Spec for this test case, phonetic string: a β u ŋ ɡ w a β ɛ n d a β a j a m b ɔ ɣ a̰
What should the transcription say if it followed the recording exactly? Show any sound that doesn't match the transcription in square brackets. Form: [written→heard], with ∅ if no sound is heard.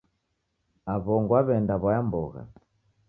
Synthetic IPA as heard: a β [u→ɔ] ŋ ɡ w a β ɛ n d a β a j a m b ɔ ɣ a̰